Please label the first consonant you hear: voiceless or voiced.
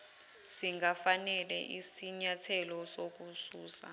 voiceless